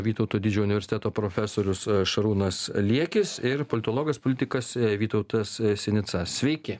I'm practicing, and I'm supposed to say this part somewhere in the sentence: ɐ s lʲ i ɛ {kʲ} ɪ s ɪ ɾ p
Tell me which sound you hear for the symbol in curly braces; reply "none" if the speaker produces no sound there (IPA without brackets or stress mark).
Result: kʲ